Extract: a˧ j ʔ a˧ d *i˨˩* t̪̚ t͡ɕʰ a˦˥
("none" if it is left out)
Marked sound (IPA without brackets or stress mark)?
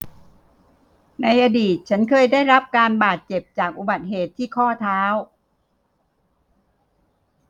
iː˨˩